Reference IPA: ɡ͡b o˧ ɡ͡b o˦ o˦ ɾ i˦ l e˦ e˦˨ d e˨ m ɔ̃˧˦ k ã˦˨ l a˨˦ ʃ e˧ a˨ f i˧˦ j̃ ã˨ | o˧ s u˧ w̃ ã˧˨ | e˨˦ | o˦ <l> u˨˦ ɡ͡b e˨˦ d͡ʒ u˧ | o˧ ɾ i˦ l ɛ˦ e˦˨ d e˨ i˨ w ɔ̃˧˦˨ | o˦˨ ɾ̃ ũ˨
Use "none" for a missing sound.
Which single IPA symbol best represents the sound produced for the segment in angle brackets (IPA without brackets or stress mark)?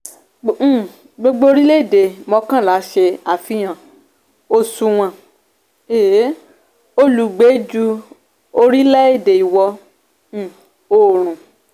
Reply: l